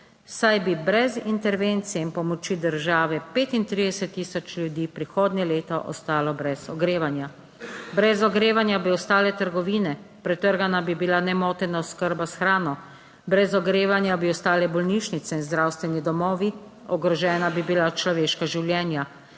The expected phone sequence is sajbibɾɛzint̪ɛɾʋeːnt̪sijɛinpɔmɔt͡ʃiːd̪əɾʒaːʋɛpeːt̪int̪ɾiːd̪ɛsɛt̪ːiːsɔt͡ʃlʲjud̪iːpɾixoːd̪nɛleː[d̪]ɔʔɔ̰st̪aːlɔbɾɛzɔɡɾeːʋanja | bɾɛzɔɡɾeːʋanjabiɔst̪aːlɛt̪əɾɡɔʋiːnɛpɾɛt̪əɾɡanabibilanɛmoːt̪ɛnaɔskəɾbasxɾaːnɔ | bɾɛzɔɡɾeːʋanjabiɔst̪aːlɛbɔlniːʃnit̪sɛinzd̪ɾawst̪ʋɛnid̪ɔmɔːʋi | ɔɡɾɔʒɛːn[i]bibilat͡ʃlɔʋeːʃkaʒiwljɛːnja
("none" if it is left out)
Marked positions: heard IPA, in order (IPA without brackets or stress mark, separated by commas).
t̪, a